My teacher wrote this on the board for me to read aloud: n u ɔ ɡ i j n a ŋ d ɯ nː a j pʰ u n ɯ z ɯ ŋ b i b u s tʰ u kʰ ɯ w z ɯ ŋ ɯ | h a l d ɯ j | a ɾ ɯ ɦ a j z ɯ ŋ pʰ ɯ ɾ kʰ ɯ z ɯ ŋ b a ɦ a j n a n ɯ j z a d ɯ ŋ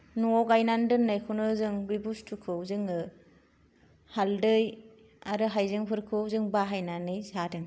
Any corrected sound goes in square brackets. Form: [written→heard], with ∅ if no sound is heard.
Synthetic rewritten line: n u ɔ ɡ [i→a] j n a [ŋ→n] d ɯ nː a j [pʰ→kʰ] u n ɯ z ɯ ŋ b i b u s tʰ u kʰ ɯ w z ɯ ŋ ɯ | h a l d ɯ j | a ɾ ɯ ɦ a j z ɯ ŋ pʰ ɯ ɾ kʰ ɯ z ɯ ŋ b a ɦ a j n a n ɯ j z a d ɯ ŋ